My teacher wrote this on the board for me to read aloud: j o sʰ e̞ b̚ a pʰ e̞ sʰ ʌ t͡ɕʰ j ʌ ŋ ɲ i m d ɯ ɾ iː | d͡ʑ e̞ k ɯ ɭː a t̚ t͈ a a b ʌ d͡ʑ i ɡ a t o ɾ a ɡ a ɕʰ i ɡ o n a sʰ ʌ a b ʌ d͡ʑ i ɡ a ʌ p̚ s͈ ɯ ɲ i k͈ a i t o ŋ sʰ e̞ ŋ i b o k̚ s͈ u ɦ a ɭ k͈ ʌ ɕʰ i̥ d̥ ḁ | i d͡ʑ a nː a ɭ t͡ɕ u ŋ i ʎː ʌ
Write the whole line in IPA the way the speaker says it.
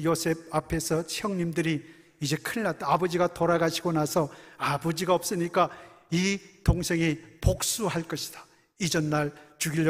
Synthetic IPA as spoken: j o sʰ e̞ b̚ a pʰ e̞ sʰ ʌ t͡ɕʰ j ʌ ŋ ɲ i m d ɯ ɾ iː | d͡ʑ e̞ kʰ ɯ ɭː a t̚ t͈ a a b ʌ d͡ʑ i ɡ a t o ɾ a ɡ a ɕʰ i ɡ o n a sʰ ʌ a b ʌ d͡ʑ i ɡ a ʌ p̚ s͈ ɯ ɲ i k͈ a i t o ŋ sʰ e̞ ŋ i p o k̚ s͈ u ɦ a ɭ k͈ ʌ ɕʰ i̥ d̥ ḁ | i d͡ʑ ʌ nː a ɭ t͡ɕ u ɡ i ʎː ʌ